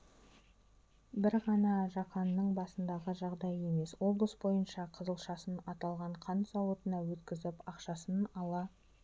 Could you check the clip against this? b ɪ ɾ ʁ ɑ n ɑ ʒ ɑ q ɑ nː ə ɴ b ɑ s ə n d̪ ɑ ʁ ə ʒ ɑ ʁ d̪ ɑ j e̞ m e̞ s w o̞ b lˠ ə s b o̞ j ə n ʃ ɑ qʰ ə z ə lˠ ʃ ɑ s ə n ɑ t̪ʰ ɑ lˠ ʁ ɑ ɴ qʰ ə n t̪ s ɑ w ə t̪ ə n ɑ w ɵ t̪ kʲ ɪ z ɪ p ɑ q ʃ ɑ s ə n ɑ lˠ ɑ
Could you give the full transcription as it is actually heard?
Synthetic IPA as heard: b ɪ ɾ ʁ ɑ n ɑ ʒ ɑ q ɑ nː ə ɴ b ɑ s ə n d̪ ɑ ʁ ə ʒ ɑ ʁ d̪ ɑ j e̞ m e̞ s w o̞ b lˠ ə s b o̞ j ə n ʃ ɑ qʰ ə z ə lˠ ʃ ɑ s ə n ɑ t̪ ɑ lˠ ʁ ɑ ɴ qʰ ɑ n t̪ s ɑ w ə t̪ ə n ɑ w ɵ t̪ kʲ ɪ z ɪ p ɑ q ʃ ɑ s ə n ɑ lˠ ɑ

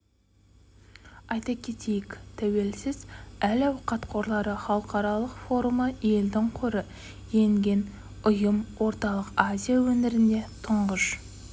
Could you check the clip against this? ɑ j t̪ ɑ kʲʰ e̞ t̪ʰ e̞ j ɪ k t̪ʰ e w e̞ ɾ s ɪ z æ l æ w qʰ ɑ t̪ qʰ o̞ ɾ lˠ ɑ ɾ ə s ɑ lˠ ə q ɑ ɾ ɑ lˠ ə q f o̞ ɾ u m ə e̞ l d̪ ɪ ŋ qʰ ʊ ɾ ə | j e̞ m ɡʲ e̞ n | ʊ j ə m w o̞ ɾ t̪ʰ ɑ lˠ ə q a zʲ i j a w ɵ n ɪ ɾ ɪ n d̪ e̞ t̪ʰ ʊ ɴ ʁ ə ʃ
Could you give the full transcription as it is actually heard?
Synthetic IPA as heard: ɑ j t̪ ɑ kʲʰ e̞ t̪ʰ e̞ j ɪ k t̪ʰ æ w e̞ l s ɪ z æ l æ w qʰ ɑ t̪ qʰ o̞ ɾ lˠ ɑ ɾ ə χ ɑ lˠ ə q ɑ ɾ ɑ lˠ ə q f o̞ ɾ u m ə e̞ l d̪ ɪ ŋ qʰ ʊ ɾ ə | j e̞ ŋ ɡʲ e̞ n | ʊ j ə m w o̞ ɾ t̪ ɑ lˠ ə q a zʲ i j a w ɵ n ɪ ɾ ɪ n d̪ e̞ t̪ʰ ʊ ɴ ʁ ə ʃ

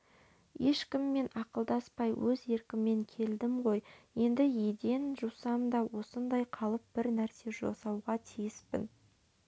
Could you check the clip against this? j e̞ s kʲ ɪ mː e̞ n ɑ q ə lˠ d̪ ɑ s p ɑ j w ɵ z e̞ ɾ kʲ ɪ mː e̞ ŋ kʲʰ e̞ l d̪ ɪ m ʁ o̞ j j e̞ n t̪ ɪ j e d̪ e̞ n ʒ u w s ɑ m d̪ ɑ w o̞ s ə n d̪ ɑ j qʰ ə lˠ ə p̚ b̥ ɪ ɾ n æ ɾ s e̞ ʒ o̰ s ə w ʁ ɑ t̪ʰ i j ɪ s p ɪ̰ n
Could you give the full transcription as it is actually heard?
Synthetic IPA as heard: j e̞ ʃ kʲ ɪ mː e̞ n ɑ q ə lˠ d̪ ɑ s p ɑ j w ɵ z e̞ ɾ kʲ ɪ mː e̞ ŋ kʲʰ e̞ l d̪ ɪ m ʁ o̞ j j e̞ n d̪ ɪ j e d̪ e̞ n ʒ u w s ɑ m d̪ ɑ w o̞ s ə n d̪ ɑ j qʰ ɑ lˠ ə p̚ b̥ ɪ ɾ n æ ɾ s e̞ ʒ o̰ s ɑ w ʁ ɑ t̪ʰ i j ɪ s p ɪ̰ n

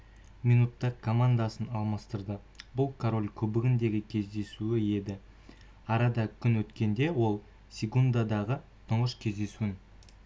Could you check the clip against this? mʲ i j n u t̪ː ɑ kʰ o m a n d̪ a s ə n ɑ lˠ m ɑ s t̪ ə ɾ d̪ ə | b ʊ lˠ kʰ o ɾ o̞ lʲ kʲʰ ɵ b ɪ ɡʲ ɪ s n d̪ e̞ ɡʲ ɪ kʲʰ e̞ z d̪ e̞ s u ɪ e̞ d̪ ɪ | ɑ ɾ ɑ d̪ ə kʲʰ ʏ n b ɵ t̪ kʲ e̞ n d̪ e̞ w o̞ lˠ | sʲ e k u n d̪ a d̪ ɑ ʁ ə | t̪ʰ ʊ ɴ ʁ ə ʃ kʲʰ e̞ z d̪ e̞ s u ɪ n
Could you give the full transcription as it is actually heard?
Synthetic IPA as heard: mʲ i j n u t̪ː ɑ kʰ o m a n d̪ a s ə n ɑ lˠ m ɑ s t̪ ə ɾ d̪ ə | b ʊ lˠ kʰ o ɾ o̞ lʲ kʲʰ ɵ b ɪ ɡʲ ɪ n d̪ e̞ ɡʲ ɪ kʲʰ e̞ z d̪ e̞ s u ɪ e̞ d̪ ɪ | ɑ ɾ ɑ d̪ ɑ kʲʰ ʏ n w ɵ t̪ kʲ e̞ n d̪ e̞ w o̞ lˠ | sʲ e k u n d̪ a d̪ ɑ ʁ ə | t̪ʰ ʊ ɴ ʁ ə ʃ kʲʰ e̞ z d̪ e̞ s u ɪ n

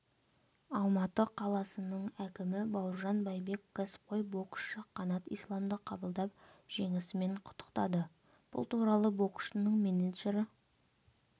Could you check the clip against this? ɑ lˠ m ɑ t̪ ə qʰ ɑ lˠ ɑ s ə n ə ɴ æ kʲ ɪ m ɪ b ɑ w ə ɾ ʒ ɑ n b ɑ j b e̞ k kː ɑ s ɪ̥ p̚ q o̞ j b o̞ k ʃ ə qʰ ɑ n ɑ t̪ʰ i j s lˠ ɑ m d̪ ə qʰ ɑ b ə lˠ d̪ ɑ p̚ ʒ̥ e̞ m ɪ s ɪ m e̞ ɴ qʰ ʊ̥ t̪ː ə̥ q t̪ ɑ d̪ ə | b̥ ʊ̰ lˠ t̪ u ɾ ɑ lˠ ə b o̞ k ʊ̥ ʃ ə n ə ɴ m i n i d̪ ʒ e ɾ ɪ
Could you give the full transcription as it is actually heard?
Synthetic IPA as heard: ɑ lˠ m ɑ t̪ ə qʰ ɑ lˠ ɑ s ə n ə ɴ æ kʲ ɪ m ɪ b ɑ w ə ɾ ʒ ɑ n b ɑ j b e̞ k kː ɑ s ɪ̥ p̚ q o̞ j b o̞ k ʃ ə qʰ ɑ n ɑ t̪ i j s lˠ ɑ m d̪ ə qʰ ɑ b ə lˠ d̪ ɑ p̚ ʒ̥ e̞ ŋ ɪ s ɪ m e̞ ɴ qʰ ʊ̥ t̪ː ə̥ q t̪ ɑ d̪ ə | b̥ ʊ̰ lˠ t̪ u ɾ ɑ lˠ ə b o̞ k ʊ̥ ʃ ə n ə ɴ m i n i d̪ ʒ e ɾ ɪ

